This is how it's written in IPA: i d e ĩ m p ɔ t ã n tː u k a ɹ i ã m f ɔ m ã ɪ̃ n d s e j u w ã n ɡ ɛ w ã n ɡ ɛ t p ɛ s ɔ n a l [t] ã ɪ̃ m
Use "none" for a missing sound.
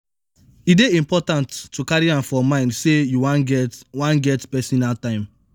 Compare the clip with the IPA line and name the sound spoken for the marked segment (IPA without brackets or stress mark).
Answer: t